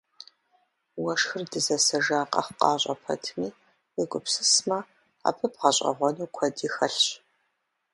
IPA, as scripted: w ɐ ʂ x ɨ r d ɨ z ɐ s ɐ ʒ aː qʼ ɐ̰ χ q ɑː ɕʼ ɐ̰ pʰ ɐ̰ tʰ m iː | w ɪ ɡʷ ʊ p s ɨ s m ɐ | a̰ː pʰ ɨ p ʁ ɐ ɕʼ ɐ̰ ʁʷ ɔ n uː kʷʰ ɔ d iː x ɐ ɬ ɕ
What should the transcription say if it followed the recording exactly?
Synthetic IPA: w ɐ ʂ x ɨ r d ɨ z ɐ s ɐ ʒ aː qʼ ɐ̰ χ q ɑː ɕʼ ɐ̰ pʰ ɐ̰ tʰ m iː | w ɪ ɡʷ ʊ p s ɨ s m ɐ | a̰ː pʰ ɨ p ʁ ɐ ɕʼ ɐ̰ ʁʷ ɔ n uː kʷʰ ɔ d iː x ɐ ɬ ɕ

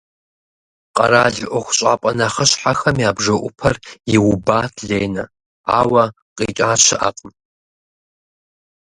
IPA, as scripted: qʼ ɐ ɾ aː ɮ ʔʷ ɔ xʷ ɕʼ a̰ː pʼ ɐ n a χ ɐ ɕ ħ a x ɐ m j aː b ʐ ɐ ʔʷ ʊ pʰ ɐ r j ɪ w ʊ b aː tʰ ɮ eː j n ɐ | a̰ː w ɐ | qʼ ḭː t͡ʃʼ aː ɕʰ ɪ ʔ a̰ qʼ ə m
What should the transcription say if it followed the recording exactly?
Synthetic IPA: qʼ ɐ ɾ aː ɮ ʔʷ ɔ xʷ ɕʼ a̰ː pʼ ɐ n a χ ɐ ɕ ħ a x ɐ m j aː b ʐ ɐ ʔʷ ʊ pʰ ɐ r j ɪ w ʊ b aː tʰ ɮ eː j n ɐ | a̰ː w ɐ | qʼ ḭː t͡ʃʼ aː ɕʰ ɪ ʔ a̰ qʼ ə m

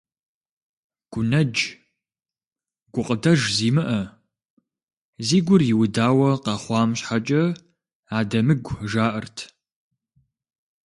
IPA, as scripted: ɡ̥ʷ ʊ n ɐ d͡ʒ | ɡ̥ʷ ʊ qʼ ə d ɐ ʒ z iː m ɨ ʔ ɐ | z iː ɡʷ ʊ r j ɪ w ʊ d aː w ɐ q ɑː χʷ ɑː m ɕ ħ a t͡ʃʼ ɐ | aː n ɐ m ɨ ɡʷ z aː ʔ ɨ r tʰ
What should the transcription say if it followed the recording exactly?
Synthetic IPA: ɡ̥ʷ ʊ n ɐ d͡ʒ | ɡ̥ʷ ʊ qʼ ə d ɐ ʒ z iː m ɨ ʔ ɐ | z iː ɡʷ ʊ r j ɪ w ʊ d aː w ɐ q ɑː χʷ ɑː m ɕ ħ a t͡ʃʼ ɐ | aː d ɐ m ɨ ɡʷ ʒ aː ʔ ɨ r tʰ

